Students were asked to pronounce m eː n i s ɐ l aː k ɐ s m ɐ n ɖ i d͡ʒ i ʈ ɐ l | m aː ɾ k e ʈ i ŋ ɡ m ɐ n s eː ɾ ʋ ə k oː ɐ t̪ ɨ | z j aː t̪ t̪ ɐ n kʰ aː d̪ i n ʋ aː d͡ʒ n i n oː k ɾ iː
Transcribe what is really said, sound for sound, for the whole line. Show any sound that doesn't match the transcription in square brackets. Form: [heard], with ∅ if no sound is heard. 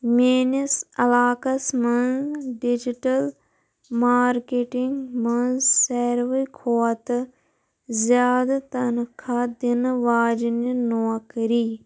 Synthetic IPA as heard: m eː n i s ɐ l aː k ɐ s m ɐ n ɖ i d͡ʒ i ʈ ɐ l | m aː ɾ k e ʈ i ŋ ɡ m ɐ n s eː ɾ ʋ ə [kʰ] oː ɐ t̪ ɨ | z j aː [d̪] t̪ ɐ n kʰ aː d̪ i n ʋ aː d͡ʒ n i n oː k ɾ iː